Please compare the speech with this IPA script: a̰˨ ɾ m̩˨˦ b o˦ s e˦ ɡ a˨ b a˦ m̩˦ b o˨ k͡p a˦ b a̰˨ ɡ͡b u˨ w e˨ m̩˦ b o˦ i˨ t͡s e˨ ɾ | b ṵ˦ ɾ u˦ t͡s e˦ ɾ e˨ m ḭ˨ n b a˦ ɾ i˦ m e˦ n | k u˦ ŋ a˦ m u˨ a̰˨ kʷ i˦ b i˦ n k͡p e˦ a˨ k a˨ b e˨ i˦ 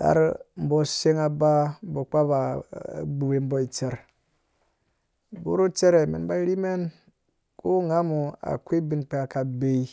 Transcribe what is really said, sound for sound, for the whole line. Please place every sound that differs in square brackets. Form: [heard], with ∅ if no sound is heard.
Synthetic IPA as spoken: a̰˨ ɾ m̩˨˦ b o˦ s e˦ [ŋ] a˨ b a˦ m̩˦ b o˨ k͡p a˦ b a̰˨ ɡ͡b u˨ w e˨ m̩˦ b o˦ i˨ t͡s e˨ ɾ | b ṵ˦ ɾ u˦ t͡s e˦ ɾ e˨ m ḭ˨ n b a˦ ɾ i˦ m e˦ n | k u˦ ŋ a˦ m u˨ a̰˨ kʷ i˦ b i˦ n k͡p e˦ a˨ k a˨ b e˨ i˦

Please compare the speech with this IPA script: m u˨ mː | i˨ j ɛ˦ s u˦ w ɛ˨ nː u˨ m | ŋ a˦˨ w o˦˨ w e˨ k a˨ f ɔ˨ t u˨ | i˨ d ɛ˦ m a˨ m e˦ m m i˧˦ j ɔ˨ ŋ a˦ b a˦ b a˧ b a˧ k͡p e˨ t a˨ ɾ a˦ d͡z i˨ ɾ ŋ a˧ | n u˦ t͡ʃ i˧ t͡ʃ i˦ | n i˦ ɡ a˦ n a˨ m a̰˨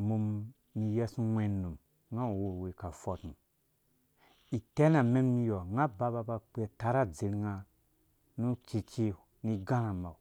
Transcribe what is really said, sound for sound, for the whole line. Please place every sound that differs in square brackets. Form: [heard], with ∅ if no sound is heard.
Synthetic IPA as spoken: m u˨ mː | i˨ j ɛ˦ s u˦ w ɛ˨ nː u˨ m | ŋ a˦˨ w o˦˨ w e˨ k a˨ f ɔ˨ t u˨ | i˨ [t] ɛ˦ [n] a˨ m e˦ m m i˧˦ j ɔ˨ ŋ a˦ b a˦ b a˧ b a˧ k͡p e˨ t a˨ ɾ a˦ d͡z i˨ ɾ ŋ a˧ | n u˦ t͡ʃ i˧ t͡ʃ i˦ | n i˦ ɡ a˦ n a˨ m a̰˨

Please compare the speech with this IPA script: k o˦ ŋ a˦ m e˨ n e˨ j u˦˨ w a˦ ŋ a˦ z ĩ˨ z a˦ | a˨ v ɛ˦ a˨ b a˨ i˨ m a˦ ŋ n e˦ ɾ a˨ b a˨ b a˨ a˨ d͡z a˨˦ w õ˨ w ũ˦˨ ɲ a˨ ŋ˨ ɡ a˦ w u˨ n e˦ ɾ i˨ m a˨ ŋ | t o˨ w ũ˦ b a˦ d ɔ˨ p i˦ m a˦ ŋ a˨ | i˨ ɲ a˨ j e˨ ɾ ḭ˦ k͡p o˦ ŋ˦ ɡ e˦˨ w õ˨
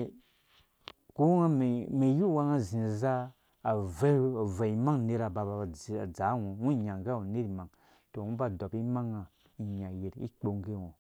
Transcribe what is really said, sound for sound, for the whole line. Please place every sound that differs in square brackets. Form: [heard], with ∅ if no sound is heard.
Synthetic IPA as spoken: k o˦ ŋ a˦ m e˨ [m] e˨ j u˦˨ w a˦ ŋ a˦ z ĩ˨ z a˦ | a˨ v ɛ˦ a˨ [v] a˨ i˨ m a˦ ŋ n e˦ ɾ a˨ b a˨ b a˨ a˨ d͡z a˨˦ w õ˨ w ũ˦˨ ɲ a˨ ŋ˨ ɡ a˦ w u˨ n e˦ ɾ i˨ m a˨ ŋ | t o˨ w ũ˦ b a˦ d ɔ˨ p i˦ m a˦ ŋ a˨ | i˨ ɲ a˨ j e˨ ɾ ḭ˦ k͡p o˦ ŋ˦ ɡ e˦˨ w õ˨

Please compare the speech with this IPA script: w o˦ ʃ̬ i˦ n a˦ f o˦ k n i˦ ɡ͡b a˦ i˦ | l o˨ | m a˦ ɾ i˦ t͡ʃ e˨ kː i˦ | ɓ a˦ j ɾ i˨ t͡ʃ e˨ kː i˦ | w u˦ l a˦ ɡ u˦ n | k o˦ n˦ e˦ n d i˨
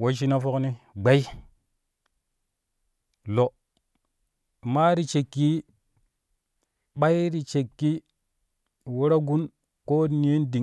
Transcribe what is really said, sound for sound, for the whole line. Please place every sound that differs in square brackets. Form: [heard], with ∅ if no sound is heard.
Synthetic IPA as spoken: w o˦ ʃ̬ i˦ n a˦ f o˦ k n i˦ ɡ͡b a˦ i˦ | l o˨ | m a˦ ɾ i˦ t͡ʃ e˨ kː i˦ | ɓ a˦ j ɾ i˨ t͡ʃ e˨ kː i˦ | w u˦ [ɾ] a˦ ɡ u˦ n | k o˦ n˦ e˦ n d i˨

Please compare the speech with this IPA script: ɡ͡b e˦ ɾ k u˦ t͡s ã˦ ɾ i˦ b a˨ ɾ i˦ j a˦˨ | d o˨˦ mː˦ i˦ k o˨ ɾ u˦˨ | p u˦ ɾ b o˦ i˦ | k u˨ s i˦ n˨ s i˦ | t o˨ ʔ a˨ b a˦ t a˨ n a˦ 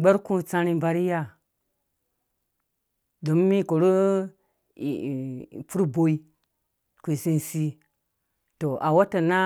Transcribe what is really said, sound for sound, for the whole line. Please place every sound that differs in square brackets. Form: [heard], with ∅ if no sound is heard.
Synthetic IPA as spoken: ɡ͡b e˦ ɾ k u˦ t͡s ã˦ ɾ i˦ b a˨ ɾ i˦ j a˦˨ | d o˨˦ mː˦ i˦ k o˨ ɾ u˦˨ | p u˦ ɾ b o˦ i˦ | k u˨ s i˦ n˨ s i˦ | t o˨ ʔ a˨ [w] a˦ t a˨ n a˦

